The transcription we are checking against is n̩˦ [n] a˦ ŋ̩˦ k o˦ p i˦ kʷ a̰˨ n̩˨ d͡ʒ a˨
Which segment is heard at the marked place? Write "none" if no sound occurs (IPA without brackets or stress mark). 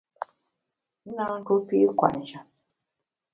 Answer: n